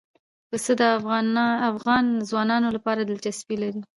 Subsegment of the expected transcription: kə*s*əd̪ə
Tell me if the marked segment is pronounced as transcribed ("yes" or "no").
yes